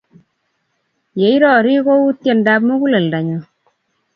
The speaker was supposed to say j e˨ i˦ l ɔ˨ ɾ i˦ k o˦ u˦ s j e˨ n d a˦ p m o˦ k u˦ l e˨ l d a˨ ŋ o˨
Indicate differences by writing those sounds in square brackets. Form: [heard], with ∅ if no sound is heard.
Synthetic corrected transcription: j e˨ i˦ [ɾ] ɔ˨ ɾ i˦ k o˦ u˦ [t] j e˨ n d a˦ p m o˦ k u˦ l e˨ l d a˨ [ɲ] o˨